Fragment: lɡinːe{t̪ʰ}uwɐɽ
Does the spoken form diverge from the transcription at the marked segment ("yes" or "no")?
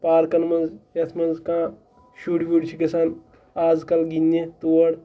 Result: yes